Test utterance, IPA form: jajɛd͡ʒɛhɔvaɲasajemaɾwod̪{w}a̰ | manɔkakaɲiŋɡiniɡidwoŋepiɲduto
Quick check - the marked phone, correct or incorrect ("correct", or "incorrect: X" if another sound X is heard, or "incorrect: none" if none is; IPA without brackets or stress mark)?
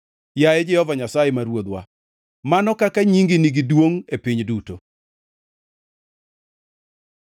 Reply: correct